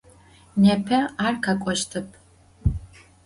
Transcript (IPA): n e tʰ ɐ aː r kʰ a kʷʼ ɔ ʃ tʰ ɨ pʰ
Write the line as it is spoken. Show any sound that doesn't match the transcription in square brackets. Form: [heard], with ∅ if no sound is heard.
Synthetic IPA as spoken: n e [pʰ] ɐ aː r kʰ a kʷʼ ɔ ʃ tʰ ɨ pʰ